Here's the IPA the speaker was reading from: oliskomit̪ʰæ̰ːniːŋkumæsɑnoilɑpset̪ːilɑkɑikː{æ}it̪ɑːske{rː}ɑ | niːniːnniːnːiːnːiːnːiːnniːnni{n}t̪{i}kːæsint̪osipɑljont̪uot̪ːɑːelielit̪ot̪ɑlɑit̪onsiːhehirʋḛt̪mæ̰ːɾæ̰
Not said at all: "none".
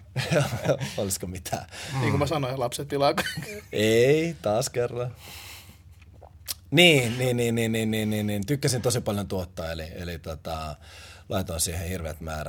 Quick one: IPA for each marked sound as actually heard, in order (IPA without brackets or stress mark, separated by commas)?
e, rː, n, y